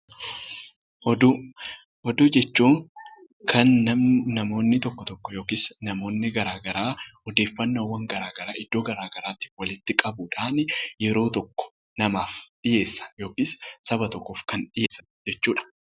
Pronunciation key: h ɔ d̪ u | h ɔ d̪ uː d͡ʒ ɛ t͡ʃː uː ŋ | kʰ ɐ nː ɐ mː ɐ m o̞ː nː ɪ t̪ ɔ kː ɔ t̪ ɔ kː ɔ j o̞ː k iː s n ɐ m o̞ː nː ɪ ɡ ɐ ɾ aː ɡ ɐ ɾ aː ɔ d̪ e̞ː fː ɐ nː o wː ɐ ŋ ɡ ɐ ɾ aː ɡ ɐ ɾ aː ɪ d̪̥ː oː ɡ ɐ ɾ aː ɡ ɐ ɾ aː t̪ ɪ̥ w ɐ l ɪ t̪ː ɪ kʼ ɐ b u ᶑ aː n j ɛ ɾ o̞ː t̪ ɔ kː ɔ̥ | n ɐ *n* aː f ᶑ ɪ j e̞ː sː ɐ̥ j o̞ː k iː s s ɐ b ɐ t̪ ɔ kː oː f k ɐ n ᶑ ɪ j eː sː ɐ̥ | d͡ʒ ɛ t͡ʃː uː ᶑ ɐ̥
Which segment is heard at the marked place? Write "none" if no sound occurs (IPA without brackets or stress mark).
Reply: m